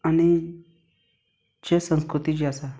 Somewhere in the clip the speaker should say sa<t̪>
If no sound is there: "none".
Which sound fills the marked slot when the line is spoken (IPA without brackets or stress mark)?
none